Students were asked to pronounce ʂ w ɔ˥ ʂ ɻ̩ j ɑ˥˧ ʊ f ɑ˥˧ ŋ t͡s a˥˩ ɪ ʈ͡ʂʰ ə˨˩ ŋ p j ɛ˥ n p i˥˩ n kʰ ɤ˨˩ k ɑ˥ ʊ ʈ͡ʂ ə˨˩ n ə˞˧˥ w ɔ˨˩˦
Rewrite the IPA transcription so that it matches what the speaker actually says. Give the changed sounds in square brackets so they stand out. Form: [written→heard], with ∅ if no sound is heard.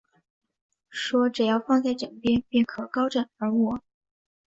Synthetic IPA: ʂ w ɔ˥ [ʂ→ʈ͡ʂ] ɻ̩ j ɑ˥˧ ʊ f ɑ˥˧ ŋ t͡s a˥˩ ɪ [ʈ͡ʂʰ→ʈ͡ʂ] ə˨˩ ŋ p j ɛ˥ n p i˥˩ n kʰ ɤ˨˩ k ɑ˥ ʊ ʈ͡ʂ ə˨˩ n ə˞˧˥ w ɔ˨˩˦